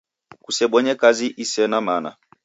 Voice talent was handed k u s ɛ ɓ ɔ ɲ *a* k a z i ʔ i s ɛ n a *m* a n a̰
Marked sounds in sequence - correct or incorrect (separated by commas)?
incorrect, correct